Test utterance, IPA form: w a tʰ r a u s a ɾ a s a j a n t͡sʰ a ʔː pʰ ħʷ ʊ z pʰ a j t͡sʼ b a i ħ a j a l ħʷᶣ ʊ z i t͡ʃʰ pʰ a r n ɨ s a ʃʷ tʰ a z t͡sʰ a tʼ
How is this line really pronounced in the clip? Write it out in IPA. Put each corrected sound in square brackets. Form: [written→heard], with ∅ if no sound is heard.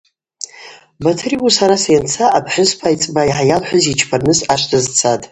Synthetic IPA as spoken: [w→b] a tʰ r [a→i] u s a ɾ a s a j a n t͡sʰ a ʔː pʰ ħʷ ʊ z pʰ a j t͡sʼ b a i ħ a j a l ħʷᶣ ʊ z i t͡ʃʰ pʰ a r n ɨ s a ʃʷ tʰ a z t͡sʰ a tʼ